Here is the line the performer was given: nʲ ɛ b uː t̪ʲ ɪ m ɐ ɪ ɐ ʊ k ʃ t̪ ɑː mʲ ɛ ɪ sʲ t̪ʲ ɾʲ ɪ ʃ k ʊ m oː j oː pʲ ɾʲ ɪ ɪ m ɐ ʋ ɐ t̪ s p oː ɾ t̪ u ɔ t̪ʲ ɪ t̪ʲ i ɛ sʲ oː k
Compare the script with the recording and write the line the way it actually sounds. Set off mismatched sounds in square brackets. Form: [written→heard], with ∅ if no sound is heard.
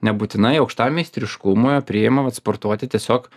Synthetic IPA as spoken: nʲ ɛ b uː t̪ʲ ɪ [m→n] ɐ ɪ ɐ ʊ k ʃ t̪ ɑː mʲ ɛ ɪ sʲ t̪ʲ ɾʲ ɪ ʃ k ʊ m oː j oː pʲ ɾʲ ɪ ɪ m ɐ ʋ ɐ t̪ s p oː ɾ t̪ u ɔ t̪ʲ ɪ t̪ʲ i ɛ sʲ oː k

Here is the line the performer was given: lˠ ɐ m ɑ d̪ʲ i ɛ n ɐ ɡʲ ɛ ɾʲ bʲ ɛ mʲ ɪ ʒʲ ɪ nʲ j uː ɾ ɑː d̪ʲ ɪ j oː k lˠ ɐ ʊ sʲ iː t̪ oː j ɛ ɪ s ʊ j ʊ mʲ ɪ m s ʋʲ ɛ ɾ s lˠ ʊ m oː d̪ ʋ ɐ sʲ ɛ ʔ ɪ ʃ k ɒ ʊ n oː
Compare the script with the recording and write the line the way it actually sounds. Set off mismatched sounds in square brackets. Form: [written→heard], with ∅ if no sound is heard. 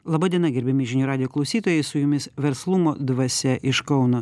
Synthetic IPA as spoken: lˠ ɐ [m→b] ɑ d̪ʲ i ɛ n ɐ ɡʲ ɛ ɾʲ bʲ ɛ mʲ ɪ ʒʲ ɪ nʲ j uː ɾ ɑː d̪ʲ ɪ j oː k lˠ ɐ ʊ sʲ iː t̪ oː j ɛ ɪ s ʊ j ʊ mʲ ɪ [m→∅] s ʋʲ ɛ ɾ s lˠ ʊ m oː d̪ ʋ ɐ sʲ ɛ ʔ ɪ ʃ k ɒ ʊ n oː

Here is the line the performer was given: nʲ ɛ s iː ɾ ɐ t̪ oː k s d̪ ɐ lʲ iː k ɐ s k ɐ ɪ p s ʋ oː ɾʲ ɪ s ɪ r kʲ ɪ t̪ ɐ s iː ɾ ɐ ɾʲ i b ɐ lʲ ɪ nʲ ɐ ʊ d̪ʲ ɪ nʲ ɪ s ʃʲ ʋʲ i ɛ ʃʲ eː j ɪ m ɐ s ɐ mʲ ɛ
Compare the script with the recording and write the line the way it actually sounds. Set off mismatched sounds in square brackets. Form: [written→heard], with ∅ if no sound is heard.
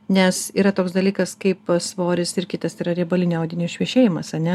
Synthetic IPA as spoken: nʲ ɛ s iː ɾ ɐ t̪ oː k s d̪ ɐ lʲ iː k ɐ s k ɐ ɪ p s ʋ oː ɾʲ ɪ s ɪ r kʲ ɪ t̪ ɐ s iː ɾ ɐ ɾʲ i b ɐ lʲ ɪ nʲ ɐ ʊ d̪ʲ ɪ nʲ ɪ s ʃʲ ʋʲ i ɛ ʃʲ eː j ɪ m ɐ s ɐ [mʲ→nʲ] ɛ

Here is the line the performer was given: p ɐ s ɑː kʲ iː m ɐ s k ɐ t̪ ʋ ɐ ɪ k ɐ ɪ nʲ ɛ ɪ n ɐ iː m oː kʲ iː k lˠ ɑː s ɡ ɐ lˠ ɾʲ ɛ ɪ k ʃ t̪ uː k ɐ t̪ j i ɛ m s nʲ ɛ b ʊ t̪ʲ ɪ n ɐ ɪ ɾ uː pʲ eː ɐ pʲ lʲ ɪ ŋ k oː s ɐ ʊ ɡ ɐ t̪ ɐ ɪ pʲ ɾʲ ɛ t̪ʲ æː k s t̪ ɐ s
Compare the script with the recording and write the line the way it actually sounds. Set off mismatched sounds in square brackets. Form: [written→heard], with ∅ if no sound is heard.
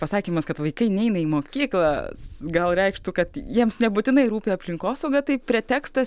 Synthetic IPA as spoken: p ɐ s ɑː kʲ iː m ɐ s k ɐ t̪ ʋ ɐ ɪ k ɐ ɪ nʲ ɛ ɪ n ɐ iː m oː kʲ iː k lˠ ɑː s ɡ ɐ lˠ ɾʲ ɛ ɪ k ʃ t̪ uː k ɐ t̪ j i ɛ m s nʲ ɛ b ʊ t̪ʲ ɪ n ɐ ɪ ɾ uː pʲ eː ɐ pʲ lʲ ɪ ŋ k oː s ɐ ʊ ɡ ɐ t̪ ɐ ɪ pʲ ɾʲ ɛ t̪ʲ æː k s t̪ ɐ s

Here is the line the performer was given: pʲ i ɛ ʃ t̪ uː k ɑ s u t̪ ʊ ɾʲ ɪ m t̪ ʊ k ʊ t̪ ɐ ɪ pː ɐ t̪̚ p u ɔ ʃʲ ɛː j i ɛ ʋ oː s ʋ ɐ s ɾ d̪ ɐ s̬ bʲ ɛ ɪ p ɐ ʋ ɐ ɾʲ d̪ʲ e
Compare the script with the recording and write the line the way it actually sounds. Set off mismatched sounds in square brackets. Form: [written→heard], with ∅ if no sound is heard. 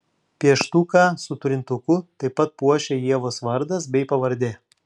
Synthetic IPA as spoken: pʲ i ɛ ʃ t̪ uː k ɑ s [u→ʊ] t̪ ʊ ɾʲ ɪ [m→n] t̪ ʊ k ʊ t̪ ɐ ɪ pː ɐ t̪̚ p u ɔ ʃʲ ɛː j i ɛ ʋ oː s ʋ ɐ [s→∅] ɾ d̪ ɐ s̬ bʲ ɛ ɪ p ɐ ʋ ɐ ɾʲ d̪ʲ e

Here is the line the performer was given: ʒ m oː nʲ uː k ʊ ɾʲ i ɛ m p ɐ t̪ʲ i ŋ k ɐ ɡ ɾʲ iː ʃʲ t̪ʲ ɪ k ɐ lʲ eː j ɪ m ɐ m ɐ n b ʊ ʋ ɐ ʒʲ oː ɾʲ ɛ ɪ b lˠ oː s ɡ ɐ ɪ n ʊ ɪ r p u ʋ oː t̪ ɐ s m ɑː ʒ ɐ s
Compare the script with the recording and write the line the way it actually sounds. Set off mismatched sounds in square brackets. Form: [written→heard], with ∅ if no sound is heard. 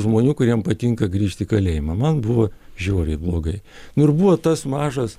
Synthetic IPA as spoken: ʒ m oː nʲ uː k ʊ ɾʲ i ɛ m p ɐ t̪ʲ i ŋ k ɐ ɡ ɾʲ iː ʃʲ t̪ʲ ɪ k ɐ lʲ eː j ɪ m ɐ m ɐ n b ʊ ʋ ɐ ʒʲ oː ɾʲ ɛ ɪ b lˠ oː [s→∅] ɡ ɐ ɪ n ʊ ɪ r [p→b] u ʋ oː t̪ ɐ s m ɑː ʒ ɐ s

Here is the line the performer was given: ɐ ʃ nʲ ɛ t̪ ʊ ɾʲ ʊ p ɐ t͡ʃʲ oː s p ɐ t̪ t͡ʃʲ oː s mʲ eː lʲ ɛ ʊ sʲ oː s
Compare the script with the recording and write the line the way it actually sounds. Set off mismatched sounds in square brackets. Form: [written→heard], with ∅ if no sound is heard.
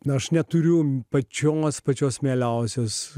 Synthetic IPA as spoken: ɐ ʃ nʲ ɛ t̪ ʊ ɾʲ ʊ p ɐ t͡ʃʲ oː s p ɐ [t̪→∅] t͡ʃʲ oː s mʲ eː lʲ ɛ ʊ sʲ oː s

